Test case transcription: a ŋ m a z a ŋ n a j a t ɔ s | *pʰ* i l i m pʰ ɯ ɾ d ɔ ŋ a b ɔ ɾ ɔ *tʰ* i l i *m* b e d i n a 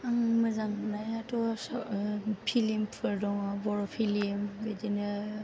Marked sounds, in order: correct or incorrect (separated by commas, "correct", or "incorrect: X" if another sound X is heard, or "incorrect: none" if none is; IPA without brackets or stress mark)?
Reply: correct, incorrect: pʰ, correct